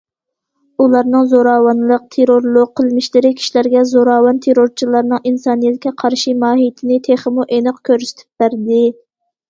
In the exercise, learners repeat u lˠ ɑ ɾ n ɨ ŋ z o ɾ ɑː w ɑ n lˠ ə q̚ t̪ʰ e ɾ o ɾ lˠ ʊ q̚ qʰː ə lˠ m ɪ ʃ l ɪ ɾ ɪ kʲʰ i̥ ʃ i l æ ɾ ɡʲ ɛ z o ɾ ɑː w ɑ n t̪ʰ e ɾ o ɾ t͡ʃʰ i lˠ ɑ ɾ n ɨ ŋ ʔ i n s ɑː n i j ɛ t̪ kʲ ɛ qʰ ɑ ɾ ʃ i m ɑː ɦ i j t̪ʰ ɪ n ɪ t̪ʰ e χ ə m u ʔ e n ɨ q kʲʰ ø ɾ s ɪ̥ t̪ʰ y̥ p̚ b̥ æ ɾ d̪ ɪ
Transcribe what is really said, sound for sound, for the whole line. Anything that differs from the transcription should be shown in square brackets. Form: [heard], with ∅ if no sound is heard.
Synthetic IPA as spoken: u lˠ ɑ ɾ n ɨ ŋ z o ɾ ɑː w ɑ n lˠ ə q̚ t̪ʰ e ɾ o ɾ lˠ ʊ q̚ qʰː ə lˠ m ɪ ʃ l ɪ ɾ ɪ kʲʰ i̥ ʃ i l æ ɾ ɡʲ ɛ z o ɾ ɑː w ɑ n t̪ʰ e ɾ o ɾ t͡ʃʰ i lˠ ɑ ɾ n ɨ ŋ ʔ i n s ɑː n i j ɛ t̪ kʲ ɛ qʰ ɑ ɾ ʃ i m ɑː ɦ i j t̪ʰ ɪ n ɪ t̪ʰ e χ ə m u ʔ e n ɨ q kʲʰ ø ɾ s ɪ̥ t̪ʰ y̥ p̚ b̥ æ ɾ d̪ ɪ